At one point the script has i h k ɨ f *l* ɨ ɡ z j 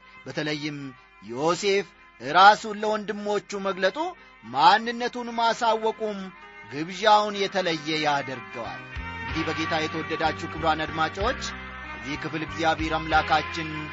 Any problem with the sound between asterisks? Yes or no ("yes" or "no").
no